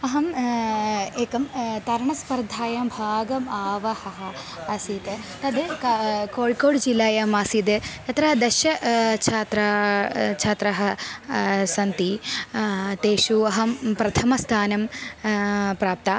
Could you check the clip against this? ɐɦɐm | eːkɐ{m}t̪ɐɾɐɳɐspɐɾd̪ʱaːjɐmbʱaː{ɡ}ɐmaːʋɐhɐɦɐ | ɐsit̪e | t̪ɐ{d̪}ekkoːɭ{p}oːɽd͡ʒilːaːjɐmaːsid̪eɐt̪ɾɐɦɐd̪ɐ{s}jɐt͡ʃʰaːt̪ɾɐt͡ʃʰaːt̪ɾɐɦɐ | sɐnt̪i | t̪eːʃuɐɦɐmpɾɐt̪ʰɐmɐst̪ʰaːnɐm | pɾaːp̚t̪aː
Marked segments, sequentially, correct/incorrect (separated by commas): correct, correct, correct, incorrect, incorrect